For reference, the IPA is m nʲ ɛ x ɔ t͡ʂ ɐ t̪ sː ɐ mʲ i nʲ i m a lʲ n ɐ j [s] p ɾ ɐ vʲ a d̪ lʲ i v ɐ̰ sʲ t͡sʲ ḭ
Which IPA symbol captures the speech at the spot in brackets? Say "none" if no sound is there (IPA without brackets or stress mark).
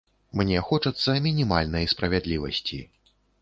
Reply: s